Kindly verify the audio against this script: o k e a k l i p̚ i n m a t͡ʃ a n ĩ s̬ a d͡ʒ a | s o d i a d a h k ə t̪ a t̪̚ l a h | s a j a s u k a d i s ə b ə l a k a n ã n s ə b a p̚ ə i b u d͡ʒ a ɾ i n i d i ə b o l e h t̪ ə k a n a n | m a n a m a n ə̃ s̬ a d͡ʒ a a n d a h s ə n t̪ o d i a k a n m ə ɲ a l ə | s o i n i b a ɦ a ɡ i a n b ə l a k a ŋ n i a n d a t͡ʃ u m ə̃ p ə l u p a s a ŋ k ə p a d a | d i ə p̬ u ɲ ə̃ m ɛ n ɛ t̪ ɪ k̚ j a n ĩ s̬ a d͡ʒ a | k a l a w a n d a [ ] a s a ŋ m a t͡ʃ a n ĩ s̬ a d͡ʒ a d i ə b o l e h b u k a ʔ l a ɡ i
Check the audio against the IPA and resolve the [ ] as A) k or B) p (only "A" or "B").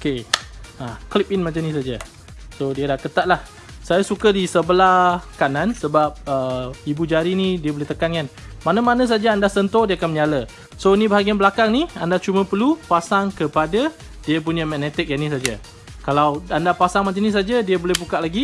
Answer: B